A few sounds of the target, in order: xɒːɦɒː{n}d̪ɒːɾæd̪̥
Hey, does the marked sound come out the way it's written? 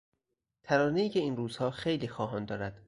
yes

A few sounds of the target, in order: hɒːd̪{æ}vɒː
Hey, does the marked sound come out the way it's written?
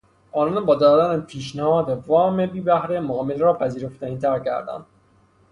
no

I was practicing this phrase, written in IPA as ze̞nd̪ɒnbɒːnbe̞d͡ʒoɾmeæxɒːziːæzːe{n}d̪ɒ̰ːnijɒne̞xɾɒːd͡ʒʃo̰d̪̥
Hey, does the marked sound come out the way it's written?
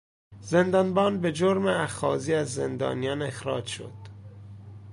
yes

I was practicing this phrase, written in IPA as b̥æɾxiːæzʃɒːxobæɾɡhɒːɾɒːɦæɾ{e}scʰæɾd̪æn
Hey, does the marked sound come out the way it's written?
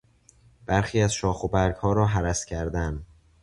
no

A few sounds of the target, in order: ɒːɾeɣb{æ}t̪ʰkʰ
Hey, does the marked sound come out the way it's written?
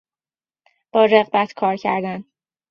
yes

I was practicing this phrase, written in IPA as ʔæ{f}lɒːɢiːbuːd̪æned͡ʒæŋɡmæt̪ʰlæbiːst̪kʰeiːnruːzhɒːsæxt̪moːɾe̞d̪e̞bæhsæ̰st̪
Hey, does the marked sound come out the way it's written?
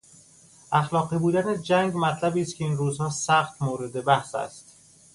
no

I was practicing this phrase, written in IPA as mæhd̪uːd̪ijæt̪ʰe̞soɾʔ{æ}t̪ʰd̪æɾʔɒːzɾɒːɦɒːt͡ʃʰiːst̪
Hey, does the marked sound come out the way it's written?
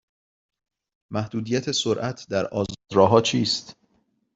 yes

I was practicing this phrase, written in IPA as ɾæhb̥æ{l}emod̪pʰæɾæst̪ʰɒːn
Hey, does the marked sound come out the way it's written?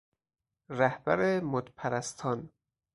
no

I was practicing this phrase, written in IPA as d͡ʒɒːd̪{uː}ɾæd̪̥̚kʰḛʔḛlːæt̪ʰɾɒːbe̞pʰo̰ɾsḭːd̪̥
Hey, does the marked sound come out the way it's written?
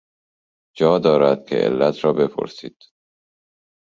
no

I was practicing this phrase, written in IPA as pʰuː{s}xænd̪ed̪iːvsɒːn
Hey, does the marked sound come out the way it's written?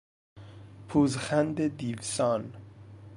no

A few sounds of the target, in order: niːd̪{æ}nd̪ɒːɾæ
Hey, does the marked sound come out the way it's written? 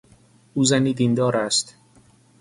no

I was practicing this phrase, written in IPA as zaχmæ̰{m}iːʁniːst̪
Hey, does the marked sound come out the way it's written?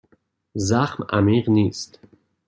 yes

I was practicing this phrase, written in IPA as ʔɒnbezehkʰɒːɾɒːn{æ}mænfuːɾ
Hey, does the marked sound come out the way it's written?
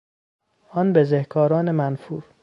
no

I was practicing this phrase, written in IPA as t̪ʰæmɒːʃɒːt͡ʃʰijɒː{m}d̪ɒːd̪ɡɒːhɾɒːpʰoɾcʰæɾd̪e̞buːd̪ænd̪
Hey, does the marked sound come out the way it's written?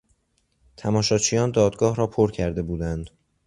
no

